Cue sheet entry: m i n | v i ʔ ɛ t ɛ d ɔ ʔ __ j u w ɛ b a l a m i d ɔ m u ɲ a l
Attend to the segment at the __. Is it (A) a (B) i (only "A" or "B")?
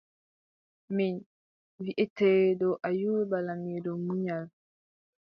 A